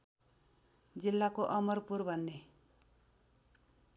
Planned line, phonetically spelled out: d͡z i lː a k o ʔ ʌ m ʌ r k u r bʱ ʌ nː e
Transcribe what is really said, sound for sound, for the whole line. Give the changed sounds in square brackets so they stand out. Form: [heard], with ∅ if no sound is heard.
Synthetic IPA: d͡z i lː a k o ʔ ʌ m ʌ r [p] u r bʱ ʌ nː e